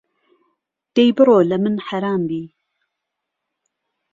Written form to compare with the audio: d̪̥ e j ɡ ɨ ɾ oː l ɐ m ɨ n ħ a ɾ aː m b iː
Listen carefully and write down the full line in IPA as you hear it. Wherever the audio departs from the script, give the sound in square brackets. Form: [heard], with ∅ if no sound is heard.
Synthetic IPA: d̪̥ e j [b] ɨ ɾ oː l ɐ m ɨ n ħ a ɾ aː m b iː